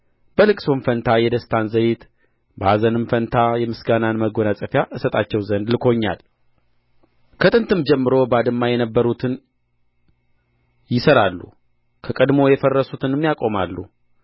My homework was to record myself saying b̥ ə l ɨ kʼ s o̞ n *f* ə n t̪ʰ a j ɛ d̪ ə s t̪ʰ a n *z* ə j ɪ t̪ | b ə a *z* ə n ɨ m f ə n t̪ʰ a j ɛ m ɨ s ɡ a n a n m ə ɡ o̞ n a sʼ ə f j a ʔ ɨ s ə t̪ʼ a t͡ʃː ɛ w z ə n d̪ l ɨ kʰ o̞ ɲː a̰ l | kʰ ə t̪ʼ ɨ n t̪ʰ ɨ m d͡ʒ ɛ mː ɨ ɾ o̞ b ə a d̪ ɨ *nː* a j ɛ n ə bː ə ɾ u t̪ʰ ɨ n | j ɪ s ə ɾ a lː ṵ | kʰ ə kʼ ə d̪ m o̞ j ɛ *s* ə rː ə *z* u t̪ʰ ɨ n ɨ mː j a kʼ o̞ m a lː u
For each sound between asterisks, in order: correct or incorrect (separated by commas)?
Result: correct, correct, correct, incorrect, incorrect, incorrect